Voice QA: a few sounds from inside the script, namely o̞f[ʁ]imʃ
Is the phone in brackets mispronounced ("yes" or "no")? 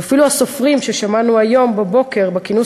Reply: no